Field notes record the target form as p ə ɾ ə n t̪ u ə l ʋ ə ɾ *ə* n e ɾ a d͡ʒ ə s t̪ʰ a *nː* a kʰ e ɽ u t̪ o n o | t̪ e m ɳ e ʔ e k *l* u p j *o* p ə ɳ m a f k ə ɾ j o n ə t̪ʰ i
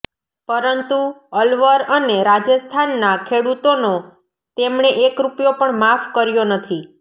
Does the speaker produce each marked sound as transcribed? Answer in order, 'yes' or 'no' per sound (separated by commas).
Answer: yes, yes, no, yes